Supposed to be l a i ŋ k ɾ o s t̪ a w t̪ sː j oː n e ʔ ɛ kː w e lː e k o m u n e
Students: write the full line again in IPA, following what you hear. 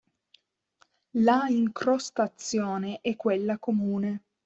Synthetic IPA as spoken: l a i ŋ k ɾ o s t̪ a t̪ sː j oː n e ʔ ɛ kː w e lː a k o m uː n e